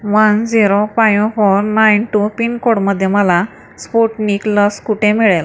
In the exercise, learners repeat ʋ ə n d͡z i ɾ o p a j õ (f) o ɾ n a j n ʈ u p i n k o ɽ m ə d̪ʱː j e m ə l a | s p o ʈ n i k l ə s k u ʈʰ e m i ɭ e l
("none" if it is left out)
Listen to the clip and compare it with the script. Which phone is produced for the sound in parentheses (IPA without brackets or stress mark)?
f